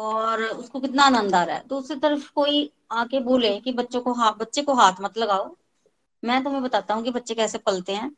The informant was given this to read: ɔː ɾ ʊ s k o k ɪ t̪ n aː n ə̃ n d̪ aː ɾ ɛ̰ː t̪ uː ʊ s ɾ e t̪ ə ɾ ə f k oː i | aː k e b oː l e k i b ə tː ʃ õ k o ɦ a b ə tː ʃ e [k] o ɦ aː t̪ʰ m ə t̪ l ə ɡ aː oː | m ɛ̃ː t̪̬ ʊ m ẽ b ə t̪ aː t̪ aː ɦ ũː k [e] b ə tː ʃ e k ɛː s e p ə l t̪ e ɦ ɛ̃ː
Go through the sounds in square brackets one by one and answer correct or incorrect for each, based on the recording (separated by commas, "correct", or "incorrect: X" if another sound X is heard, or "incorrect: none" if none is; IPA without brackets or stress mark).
correct, incorrect: i